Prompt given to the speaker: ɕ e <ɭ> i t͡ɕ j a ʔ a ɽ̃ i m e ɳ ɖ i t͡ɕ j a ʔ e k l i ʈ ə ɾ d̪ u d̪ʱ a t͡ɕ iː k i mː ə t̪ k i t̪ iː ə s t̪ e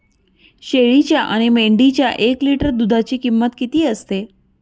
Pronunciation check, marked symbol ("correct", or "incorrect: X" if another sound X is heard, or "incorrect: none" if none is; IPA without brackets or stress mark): correct